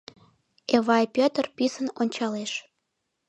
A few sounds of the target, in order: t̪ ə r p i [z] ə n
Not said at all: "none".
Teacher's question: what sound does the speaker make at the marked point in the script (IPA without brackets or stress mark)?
s